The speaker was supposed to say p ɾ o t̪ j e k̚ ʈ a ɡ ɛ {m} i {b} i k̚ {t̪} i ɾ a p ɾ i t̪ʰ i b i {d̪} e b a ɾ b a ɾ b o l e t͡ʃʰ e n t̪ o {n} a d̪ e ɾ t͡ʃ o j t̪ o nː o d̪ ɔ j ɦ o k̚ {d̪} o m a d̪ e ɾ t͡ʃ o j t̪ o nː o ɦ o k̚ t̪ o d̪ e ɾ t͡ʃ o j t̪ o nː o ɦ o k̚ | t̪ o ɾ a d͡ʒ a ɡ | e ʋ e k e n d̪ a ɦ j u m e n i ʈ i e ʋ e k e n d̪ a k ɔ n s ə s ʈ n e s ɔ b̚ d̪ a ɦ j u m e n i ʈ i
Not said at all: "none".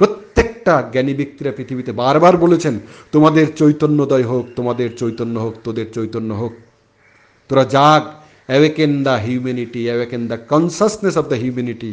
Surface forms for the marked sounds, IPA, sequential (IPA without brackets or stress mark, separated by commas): n, b, t̪, t̪, m, t̪